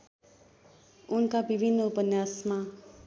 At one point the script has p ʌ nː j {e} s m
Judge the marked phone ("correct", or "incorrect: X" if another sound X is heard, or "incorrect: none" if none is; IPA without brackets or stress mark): incorrect: a